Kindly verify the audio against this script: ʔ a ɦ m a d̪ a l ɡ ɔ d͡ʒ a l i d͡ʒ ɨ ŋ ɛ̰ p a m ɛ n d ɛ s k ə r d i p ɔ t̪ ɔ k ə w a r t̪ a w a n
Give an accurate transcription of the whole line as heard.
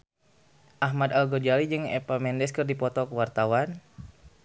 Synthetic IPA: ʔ a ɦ m a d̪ a l ɡ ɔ d͡ʒ a l i d͡ʒ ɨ ŋ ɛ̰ p a m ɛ n d ɛ s k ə r d i p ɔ t̪ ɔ k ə w a r t̪ a w a n